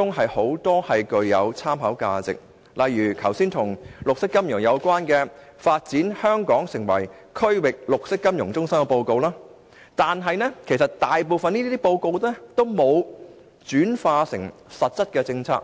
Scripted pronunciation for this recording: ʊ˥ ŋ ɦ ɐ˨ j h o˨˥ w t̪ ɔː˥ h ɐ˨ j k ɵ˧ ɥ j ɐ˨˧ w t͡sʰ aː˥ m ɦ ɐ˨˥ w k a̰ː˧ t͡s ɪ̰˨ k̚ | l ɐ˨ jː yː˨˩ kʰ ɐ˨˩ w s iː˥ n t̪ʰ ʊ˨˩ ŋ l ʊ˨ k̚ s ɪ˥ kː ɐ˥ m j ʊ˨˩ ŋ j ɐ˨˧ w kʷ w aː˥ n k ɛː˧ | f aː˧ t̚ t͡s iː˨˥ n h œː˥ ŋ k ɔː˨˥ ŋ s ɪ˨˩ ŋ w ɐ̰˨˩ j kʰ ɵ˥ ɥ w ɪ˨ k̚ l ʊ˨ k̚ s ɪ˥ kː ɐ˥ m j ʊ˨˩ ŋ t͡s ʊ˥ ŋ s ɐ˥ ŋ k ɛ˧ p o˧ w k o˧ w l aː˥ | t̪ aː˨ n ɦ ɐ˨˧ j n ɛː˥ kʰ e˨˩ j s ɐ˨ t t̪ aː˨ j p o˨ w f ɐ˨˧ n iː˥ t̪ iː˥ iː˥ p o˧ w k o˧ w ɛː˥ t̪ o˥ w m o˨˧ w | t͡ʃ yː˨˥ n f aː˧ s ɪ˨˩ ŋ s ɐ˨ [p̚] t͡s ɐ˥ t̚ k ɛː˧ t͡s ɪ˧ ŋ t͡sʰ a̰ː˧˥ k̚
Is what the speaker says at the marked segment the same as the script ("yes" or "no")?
no